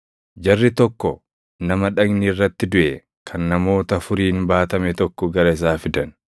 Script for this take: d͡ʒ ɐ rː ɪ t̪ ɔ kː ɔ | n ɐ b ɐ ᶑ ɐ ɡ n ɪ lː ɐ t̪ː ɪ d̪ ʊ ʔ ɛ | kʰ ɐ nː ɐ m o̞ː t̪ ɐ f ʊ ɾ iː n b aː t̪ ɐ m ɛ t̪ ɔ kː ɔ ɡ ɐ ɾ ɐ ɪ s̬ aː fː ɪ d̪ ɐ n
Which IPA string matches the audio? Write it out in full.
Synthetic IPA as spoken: d͡ʒ ɐ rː ɪ t̪ ɔ kː ɔ | n ɐ m ɐ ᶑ ɐ ɡ n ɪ rː ɐ t̪ː ɪ d̪ ʊ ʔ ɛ | kʰ ɐ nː ɐ m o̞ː t̪ ɐ f ʊ ɾ iː n b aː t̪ ɐ m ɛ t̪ ɔ kː ɔ ɡ ɐ ɾ ɐ ɪ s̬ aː f ɪ d̪ ɐ n